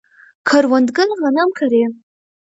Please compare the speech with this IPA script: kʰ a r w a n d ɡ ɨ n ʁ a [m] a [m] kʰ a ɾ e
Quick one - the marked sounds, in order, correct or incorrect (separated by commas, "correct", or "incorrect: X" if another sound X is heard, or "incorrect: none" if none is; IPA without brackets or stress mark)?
incorrect: n, correct